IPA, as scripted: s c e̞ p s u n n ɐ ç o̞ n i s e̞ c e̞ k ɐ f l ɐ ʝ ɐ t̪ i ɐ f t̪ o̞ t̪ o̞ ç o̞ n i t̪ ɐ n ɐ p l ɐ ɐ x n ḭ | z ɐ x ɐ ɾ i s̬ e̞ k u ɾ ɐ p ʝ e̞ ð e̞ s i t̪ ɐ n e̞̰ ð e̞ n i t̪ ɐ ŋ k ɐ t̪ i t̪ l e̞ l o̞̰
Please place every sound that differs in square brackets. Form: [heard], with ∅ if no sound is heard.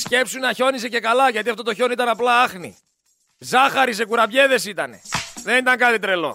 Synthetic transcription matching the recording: s c e̞ p s u n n ɐ ç o̞ n i s e̞ c e̞ k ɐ [∅] l ɐ ʝ ɐ t̪ i ɐ f t̪ o̞ t̪ o̞ ç o̞ n i t̪ ɐ n ɐ p l ɐ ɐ x n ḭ | z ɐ x ɐ ɾ i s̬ e̞ k u ɾ ɐ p ʝ e̞ ð e̞ s i t̪ ɐ n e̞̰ ð e̞ n i t̪ ɐ ŋ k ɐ t̪ i t̪ [ɾ] e̞ l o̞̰